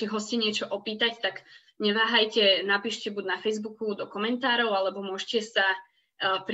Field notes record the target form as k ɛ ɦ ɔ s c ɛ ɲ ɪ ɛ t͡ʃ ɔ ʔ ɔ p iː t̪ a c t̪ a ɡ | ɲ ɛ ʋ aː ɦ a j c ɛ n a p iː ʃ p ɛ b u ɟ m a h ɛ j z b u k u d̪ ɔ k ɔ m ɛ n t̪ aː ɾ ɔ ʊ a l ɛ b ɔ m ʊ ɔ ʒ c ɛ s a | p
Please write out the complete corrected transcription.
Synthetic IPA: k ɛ ɦ ɔ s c ɛ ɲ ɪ ɛ t͡ʃ ɔ ʔ ɔ p iː t̪ a c t̪ a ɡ | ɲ ɛ ʋ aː ɦ a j c ɛ n a p iː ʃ c ɛ b u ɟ n a f ɛ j z b u k u d̪ ɔ k ɔ m ɛ n t̪ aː ɾ ɔ ʊ a l ɛ b ɔ m ʊ ɔ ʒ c ɛ s a | p